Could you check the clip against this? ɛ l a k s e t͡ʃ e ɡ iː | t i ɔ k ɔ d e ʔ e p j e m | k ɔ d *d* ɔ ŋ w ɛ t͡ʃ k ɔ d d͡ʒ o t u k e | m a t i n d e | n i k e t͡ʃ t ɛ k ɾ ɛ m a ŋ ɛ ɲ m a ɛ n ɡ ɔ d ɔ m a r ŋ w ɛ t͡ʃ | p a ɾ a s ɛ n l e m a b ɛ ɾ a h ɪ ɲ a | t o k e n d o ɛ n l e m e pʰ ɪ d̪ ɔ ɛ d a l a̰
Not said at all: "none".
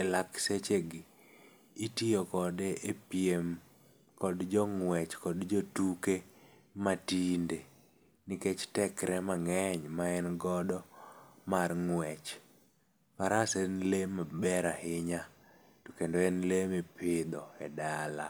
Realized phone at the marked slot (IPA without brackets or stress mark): d͡ʒ